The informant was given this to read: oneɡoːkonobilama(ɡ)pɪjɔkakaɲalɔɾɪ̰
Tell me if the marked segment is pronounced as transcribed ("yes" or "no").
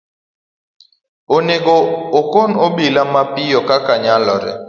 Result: no